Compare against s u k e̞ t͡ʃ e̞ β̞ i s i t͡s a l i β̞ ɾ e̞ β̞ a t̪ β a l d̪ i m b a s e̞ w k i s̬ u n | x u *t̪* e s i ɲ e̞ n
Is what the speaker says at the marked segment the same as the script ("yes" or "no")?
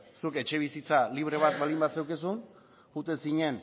yes